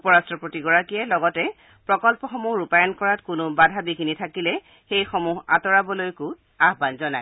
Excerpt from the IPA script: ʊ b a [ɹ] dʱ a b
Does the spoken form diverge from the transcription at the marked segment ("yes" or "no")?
yes